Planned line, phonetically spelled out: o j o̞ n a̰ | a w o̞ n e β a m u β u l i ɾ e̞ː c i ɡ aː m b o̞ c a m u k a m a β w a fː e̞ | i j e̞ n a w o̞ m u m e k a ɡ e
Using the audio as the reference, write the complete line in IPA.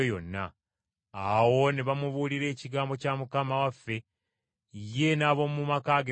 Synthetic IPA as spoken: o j o̞ nː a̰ | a w o̞ n e β a m u β u l i ɾ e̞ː c i ɡ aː m b o̞ c a m u k a m a w a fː e̞ | i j e̞ n a β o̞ m u m a k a ɡ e